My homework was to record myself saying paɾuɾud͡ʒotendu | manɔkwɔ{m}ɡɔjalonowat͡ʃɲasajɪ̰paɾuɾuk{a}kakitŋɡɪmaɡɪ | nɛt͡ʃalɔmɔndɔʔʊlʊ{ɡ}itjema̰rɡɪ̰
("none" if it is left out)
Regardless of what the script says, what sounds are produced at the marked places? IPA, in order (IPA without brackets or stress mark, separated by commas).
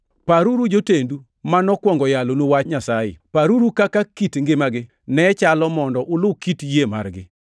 ŋ, a, k